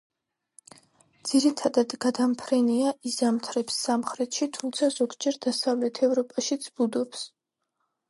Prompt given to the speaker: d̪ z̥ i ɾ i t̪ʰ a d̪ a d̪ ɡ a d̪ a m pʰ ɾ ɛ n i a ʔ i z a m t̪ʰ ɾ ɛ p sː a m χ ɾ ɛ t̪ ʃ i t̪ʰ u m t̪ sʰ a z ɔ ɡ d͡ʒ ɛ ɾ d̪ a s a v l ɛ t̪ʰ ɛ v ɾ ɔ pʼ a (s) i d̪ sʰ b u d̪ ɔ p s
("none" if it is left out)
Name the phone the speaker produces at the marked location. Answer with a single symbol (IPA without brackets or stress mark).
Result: ʃ